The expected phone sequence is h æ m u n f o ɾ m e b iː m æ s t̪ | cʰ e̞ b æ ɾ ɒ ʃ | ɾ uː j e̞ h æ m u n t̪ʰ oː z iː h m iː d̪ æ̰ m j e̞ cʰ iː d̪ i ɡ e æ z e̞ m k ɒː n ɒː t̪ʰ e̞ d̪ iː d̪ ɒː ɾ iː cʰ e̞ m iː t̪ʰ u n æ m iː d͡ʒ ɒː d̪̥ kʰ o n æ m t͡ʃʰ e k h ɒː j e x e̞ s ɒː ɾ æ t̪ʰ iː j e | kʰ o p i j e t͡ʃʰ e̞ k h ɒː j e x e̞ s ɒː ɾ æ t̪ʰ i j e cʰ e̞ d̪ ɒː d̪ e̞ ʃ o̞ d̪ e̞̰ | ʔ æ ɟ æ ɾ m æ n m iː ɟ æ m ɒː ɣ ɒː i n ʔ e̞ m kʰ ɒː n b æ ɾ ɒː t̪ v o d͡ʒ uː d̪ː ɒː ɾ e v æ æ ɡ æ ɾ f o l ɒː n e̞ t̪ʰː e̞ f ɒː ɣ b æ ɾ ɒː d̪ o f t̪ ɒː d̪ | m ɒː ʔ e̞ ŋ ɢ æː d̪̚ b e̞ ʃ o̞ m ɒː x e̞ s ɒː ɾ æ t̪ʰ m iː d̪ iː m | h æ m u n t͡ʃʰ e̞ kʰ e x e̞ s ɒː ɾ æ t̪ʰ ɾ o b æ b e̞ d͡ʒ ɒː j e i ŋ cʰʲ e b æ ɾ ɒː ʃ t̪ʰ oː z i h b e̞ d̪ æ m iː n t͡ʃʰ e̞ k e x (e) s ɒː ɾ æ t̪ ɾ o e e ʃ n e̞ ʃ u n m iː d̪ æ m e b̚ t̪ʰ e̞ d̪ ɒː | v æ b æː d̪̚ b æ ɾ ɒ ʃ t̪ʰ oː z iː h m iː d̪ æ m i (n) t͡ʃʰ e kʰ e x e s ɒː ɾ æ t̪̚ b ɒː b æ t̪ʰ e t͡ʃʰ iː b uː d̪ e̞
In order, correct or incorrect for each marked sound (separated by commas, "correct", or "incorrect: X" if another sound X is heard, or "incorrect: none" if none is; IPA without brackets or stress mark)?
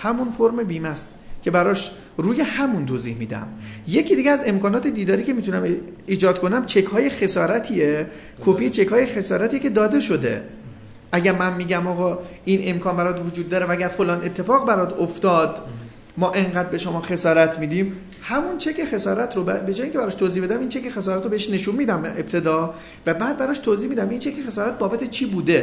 correct, correct